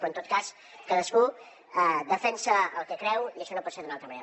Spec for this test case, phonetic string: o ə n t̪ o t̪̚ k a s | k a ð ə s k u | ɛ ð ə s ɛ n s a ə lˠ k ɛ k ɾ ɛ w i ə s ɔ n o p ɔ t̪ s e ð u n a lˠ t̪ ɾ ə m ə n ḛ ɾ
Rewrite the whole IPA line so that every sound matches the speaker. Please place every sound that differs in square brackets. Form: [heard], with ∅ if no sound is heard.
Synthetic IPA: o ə n t̪ o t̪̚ k a s | k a ð ə s k u | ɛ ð ə [f] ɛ n s [ə] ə lˠ k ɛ k ɾ ɛ w i ə [ʃ] ɔ n o p ɔ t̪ s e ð u n a lˠ t̪ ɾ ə m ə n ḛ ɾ